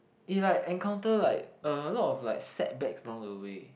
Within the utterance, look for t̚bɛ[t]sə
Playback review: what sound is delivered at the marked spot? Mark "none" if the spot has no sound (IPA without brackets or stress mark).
k